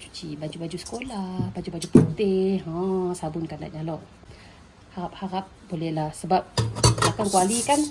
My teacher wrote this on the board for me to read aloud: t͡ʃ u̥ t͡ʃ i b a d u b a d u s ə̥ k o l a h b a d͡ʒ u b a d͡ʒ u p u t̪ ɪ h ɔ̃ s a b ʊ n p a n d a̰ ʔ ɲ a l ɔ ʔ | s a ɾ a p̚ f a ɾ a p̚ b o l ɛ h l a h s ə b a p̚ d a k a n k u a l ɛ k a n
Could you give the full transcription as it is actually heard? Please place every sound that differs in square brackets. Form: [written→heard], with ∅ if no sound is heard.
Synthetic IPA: t͡ʃ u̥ t͡ʃ i b a [d→d͡ʒ] u b a [d→d͡ʒ] u s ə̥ k o l a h b a d͡ʒ u b a d͡ʒ u p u t̪ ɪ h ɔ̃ s a b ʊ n [p→k] a n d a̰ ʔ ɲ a l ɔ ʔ | [s→h] a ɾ a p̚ [f→h] a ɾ a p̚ b o l ɛ h l a h s ə b a p̚ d a k a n k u a l [ɛ→i] k a n